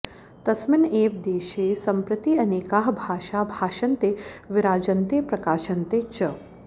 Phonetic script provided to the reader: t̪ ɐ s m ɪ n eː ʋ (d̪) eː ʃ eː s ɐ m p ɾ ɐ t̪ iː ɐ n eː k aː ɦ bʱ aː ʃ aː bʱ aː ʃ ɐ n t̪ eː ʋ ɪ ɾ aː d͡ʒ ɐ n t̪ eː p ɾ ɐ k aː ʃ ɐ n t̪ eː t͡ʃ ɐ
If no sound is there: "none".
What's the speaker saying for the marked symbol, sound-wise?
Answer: d̪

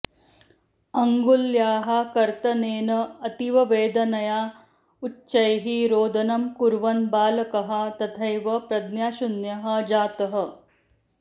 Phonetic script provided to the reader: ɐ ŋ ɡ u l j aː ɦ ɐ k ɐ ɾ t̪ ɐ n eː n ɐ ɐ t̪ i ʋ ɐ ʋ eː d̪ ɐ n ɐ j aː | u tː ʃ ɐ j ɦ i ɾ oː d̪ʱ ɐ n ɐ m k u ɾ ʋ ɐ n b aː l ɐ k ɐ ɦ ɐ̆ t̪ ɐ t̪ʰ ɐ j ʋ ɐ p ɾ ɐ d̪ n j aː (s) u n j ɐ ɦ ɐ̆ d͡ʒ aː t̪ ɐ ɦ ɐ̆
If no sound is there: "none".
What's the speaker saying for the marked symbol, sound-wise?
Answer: ʃ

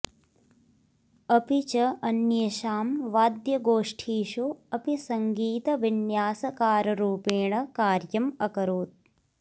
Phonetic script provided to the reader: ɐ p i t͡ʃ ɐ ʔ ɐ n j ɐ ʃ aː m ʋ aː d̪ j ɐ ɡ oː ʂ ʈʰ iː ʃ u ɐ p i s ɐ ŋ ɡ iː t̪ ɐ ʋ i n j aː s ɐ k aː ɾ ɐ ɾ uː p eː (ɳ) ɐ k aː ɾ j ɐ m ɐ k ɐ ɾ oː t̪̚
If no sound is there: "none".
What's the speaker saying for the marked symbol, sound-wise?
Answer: ɳ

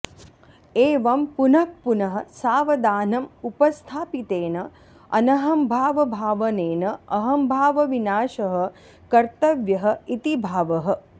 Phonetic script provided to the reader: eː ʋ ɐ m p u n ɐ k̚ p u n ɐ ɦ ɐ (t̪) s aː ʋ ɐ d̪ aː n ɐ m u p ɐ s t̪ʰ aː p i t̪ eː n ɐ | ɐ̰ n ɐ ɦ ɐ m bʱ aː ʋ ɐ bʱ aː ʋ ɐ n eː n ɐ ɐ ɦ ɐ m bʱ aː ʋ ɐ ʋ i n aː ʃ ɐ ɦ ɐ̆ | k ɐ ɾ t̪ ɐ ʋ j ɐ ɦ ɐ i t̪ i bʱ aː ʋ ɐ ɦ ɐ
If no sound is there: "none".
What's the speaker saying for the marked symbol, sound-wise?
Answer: none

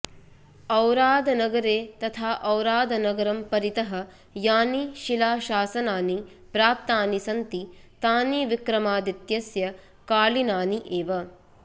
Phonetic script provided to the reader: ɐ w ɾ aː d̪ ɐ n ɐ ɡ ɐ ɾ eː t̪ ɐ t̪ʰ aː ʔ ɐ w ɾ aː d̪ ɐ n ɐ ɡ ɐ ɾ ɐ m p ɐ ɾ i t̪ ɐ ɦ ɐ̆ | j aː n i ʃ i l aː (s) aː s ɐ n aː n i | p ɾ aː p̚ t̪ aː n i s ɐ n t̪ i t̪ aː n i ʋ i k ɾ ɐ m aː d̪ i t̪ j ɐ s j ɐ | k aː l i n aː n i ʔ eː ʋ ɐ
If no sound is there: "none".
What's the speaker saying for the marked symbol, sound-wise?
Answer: ʃ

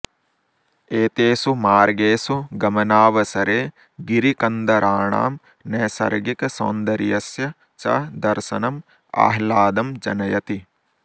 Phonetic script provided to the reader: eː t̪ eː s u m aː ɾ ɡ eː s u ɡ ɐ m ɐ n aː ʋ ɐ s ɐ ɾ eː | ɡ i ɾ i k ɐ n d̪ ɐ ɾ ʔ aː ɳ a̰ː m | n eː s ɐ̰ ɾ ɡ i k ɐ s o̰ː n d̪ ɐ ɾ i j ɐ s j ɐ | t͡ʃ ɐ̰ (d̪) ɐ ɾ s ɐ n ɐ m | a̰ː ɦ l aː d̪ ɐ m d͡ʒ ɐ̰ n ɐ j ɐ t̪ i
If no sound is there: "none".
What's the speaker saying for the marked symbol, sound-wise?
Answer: d̪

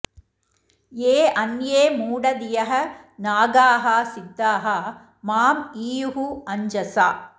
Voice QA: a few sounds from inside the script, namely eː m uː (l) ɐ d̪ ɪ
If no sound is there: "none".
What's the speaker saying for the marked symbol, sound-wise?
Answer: ɽ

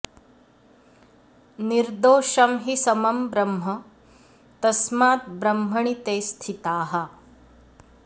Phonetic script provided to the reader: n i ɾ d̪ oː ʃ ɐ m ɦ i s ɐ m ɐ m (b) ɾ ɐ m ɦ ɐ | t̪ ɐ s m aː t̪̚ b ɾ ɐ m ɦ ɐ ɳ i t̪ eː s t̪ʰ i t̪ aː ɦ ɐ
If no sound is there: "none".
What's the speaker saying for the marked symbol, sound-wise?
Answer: b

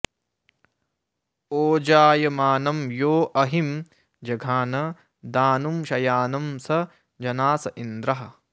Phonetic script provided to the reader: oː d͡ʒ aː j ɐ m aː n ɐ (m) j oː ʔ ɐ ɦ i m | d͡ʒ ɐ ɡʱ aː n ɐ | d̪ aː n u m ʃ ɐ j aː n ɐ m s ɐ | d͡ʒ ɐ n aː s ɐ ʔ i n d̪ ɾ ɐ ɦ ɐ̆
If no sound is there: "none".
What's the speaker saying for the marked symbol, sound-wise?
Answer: m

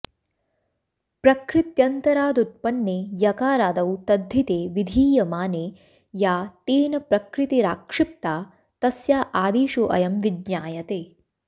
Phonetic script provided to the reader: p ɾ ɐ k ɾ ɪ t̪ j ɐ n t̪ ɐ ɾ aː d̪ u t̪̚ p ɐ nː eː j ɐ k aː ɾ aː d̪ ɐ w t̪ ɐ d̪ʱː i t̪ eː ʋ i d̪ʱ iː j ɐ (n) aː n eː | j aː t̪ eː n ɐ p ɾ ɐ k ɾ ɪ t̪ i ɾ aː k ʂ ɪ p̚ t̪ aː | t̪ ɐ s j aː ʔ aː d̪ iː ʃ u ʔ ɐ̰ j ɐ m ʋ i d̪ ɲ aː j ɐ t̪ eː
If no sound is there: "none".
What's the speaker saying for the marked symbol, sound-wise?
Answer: m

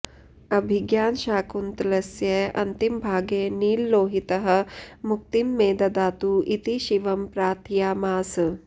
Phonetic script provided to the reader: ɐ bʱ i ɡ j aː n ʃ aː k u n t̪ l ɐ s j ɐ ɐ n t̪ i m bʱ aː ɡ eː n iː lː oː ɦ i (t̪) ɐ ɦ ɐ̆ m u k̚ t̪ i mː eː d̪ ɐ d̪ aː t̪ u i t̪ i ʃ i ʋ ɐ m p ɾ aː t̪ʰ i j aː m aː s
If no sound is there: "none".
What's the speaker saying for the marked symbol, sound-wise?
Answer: t̪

